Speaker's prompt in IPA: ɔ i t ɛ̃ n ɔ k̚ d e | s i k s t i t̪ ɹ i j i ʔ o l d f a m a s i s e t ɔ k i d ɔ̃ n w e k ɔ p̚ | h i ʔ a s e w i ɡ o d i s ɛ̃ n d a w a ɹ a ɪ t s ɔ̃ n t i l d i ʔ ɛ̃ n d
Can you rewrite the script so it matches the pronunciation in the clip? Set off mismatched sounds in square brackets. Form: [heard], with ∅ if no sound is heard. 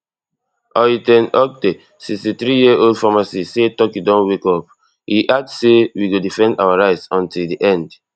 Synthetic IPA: ɔ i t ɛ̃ n ɔ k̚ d e | s i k s t i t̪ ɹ i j i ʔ o l d f a m a s i s e t ɔ k i d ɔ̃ n w e k ɔ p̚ | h i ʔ a s e w i ɡ o d i [f] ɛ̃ n d a w a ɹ a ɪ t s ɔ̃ n t i l d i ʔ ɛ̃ n d